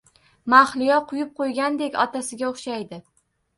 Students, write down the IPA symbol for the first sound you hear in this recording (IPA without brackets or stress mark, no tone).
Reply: m